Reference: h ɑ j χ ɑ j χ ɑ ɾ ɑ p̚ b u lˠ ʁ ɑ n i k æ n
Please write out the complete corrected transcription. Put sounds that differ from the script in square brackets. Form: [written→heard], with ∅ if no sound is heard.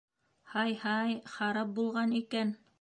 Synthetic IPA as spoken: h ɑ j [χ→h] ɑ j χ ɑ ɾ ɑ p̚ b u lˠ ʁ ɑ n i k æ n